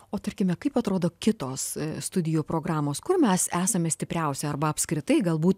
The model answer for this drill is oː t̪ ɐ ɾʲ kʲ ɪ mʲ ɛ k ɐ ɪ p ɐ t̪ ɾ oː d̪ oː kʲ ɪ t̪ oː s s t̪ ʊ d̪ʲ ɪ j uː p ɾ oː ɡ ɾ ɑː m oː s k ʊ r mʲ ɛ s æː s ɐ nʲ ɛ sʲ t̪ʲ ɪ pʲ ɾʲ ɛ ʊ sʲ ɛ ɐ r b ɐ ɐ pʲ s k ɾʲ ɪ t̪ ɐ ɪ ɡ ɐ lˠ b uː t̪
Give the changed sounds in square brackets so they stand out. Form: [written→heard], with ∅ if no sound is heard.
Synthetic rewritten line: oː t̪ ɐ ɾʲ kʲ ɪ mʲ ɛ k ɐ ɪ p ɐ t̪ ɾ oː d̪ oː kʲ ɪ t̪ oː s s t̪ ʊ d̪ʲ ɪ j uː p ɾ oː ɡ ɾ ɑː m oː s k ʊ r mʲ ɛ s æː s ɐ [nʲ→mʲ] ɛ sʲ t̪ʲ ɪ pʲ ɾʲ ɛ ʊ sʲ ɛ ɐ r b ɐ ɐ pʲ s k ɾʲ ɪ t̪ ɐ ɪ ɡ ɐ lˠ b uː t̪